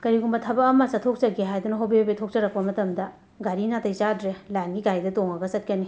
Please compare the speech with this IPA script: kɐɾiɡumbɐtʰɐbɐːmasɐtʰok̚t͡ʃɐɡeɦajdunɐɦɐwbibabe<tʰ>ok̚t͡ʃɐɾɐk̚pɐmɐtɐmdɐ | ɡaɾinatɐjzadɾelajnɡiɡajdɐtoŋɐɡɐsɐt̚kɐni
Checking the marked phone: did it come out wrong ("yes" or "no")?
no